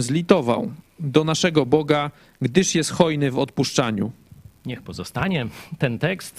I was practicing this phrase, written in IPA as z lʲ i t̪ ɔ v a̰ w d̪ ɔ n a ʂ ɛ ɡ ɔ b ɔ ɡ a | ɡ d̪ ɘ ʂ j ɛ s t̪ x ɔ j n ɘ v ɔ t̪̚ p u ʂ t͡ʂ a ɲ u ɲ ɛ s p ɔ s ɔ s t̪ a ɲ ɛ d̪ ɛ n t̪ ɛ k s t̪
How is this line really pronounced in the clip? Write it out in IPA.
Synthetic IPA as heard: z lʲ i t̪ ɔ v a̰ w d̪ ɔ n a ʂ ɛ ɡ ɔ b ɔ ɡ a | ɡ d̪ ɘ ʂ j ɛ s t̪ x ɔ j n ɘ v ɔ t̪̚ p u ʂ t͡ʂ a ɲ u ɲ ɛ x p ɔ z ɔ s t̪ a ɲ ɛ t̪ ɛ n t̪ ɛ k s t̪